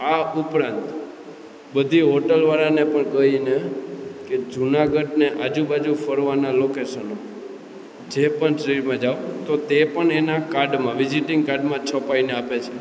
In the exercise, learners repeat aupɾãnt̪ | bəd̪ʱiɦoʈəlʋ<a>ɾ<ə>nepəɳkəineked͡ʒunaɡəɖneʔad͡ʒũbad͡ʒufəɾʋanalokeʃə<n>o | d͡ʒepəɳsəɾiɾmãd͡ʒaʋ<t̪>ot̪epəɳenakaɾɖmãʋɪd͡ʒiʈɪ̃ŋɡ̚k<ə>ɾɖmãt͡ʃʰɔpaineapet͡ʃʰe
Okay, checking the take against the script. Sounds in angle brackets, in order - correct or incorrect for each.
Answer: correct, incorrect: a, correct, correct, incorrect: a

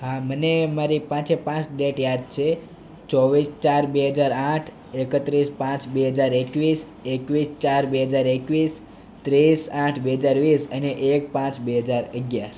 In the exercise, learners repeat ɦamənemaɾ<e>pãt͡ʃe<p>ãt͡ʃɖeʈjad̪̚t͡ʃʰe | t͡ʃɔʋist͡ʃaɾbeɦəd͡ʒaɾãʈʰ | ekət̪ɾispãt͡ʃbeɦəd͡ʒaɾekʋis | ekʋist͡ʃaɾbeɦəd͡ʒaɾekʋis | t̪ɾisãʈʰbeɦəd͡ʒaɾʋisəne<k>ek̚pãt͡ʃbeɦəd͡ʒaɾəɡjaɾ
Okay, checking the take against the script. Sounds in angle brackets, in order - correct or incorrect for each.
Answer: incorrect: i, correct, incorrect: ʔ

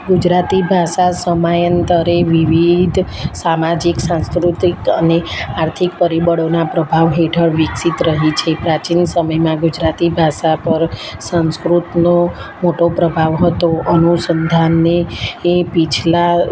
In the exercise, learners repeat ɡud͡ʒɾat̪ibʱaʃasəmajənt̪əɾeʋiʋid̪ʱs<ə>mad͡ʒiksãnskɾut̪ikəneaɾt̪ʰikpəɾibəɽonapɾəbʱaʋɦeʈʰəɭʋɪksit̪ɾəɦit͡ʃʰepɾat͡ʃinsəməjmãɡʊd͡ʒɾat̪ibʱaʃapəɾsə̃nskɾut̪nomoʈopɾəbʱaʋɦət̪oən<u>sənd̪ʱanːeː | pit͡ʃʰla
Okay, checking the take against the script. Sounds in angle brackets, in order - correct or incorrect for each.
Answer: incorrect: a, correct

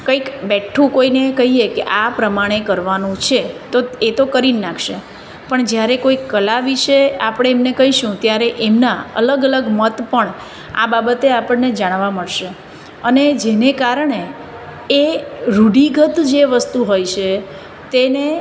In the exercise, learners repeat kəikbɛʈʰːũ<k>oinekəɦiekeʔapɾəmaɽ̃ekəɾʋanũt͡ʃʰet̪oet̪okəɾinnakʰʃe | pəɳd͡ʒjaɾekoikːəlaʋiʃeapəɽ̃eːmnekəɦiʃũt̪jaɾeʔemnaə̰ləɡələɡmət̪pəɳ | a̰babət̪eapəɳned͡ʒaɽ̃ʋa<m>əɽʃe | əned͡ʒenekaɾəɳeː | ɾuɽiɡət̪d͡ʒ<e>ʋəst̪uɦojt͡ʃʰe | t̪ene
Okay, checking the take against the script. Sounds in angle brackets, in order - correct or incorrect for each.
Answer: correct, correct, correct

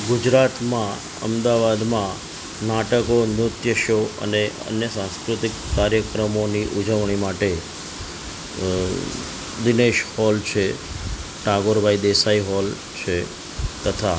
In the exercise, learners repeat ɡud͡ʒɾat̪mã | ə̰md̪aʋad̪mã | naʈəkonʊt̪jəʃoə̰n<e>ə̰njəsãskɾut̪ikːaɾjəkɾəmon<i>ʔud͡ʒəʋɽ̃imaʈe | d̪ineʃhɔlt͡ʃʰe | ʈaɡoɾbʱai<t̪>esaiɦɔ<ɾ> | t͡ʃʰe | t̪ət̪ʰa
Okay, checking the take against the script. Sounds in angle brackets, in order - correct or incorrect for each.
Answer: correct, correct, incorrect: d̪, incorrect: l

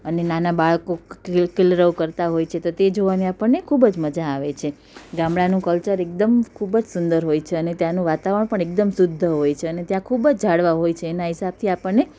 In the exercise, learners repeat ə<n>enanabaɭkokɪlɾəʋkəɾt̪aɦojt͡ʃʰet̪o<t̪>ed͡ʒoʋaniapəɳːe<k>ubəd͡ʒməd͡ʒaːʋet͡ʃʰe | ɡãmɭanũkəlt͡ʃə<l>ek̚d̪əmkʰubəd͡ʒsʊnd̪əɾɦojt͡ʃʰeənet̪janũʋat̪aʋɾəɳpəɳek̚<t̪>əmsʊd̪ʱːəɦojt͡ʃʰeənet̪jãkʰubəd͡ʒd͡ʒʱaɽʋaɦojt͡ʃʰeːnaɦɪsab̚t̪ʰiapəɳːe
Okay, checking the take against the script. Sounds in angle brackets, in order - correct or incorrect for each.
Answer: correct, correct, incorrect: kʰ, incorrect: ɾ, incorrect: d̪

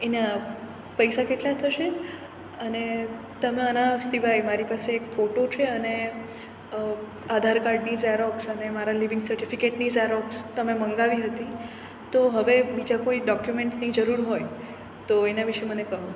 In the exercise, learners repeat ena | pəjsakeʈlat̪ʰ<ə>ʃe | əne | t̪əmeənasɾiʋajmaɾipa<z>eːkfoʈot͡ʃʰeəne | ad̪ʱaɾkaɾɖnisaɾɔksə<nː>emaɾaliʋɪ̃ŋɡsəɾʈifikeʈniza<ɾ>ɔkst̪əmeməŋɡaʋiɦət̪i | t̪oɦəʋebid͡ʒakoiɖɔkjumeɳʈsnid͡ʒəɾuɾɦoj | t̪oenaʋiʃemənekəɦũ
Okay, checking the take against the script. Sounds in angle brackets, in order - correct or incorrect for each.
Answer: correct, incorrect: s, incorrect: n, correct

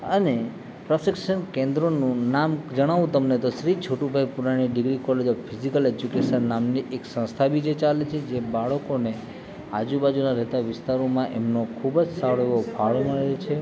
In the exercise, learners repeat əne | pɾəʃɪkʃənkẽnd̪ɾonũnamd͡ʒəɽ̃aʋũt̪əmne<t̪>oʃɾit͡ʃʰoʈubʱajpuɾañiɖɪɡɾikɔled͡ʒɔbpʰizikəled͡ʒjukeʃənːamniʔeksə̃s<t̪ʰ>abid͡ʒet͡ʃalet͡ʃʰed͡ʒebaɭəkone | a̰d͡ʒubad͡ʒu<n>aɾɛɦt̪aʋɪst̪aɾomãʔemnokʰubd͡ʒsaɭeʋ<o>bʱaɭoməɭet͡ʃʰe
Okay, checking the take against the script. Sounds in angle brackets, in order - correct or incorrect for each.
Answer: correct, correct, correct, correct

